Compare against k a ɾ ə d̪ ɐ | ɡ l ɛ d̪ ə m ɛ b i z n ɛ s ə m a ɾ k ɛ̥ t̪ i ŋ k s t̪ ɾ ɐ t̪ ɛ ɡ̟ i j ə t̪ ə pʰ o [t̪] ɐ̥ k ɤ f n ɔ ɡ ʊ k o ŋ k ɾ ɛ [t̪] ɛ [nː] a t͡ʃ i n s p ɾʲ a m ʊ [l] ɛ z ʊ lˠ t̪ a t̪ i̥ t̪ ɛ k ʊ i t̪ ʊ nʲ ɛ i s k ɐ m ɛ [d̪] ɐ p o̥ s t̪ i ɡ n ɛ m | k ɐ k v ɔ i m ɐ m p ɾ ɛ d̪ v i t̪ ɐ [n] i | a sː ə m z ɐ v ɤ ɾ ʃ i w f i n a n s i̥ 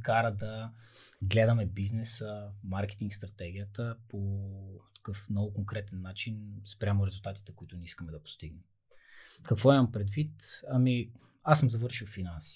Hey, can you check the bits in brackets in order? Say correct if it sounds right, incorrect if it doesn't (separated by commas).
correct, correct, correct, incorrect, correct, incorrect